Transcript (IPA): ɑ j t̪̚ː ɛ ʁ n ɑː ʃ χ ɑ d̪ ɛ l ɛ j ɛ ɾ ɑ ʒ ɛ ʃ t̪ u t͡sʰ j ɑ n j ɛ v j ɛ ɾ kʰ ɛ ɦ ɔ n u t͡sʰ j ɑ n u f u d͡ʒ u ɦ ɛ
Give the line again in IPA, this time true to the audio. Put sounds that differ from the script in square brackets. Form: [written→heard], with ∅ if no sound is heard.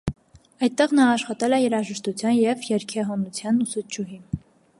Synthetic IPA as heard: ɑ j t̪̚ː ɛ ʁ n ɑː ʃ χ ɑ [d̪→t̪] ɛ l ɛ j ɛ ɾ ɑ ʒ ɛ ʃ t̪ u t͡sʰ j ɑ n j ɛ v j ɛ ɾ kʰ ɛ ɦ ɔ n u t͡sʰ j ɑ n u [f→s] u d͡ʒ u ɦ [ɛ→i]